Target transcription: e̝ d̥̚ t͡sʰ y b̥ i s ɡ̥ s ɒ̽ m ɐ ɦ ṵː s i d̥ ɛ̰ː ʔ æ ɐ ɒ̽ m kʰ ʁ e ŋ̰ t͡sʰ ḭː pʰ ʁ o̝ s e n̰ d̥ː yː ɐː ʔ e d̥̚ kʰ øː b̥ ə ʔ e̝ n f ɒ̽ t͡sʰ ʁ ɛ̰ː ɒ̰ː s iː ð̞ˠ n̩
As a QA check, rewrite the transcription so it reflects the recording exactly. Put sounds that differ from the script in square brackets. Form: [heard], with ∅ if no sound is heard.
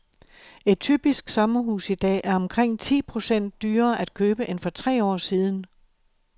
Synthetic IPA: e̝ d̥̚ t͡sʰ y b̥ i s ɡ̥ s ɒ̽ m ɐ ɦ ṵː s i d̥ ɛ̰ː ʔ æ ɐ ɒ̽ m kʰ ʁ e ŋ̰ t͡sʰ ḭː pʰ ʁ o̝ s e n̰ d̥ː yː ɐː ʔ [æ] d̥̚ kʰ øː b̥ ə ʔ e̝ n f ɒ̽ t͡sʰ ʁ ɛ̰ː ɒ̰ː s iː ð̞ˠ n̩